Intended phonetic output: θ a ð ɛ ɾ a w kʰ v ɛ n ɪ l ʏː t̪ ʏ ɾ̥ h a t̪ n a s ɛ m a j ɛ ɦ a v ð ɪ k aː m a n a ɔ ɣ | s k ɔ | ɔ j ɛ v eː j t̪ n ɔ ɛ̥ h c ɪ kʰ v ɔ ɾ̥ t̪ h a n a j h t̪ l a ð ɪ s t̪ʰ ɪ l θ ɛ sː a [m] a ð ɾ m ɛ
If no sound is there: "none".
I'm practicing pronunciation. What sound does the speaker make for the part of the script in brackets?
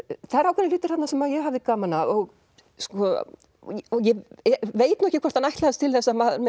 m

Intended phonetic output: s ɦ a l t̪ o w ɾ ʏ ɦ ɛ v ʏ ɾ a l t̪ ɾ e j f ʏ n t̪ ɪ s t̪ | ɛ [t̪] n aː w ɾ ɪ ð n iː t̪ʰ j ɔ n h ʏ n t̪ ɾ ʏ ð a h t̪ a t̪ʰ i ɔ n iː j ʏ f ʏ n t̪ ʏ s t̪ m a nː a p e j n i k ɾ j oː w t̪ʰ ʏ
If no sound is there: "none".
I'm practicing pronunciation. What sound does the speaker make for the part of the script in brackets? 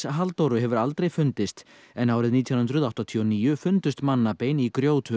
none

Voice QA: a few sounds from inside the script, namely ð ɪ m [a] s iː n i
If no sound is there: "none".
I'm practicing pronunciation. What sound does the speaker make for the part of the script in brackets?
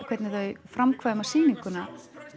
a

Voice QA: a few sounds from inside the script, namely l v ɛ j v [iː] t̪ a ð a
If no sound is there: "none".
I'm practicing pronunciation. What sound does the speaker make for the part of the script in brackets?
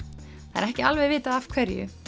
ɪː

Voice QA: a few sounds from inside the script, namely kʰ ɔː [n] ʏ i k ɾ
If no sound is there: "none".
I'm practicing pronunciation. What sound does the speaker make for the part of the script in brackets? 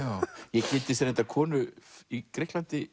n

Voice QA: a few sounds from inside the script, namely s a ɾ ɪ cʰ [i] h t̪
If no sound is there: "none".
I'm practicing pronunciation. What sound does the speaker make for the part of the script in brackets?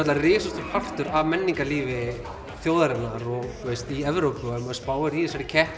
ɛ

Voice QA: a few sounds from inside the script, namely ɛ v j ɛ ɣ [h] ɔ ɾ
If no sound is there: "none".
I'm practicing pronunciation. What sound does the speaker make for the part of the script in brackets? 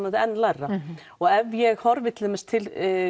h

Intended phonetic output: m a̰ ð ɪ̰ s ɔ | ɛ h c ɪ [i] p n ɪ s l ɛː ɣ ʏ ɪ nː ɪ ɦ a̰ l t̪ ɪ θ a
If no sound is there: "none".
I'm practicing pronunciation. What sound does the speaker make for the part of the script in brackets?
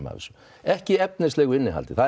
ɛ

